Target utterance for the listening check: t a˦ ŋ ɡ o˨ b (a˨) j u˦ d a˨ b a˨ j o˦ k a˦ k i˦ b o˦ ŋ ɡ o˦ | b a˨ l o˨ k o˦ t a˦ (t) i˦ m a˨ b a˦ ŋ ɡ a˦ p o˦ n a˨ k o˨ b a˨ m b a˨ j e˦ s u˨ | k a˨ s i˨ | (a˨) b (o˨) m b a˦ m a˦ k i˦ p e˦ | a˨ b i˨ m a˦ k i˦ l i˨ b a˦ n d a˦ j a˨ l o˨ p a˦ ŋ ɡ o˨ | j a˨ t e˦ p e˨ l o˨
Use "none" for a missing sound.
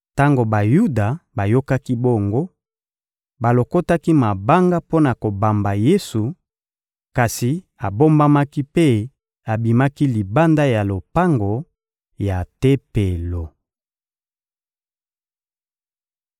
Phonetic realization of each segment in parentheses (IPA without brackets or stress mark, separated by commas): a˨, k, a˨, o˦